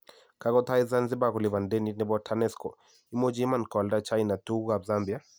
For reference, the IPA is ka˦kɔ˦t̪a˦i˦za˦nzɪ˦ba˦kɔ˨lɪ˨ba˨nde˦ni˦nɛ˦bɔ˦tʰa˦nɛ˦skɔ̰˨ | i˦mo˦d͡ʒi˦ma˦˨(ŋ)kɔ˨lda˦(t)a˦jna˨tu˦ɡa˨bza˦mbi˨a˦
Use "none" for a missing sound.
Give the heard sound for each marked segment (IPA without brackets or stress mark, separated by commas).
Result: n, t͡ʃ